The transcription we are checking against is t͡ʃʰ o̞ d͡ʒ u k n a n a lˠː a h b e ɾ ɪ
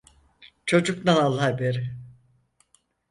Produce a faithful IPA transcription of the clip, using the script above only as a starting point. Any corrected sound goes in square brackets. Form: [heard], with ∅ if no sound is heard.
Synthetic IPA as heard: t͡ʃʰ o̞ d͡ʒ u k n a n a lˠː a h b e ɾ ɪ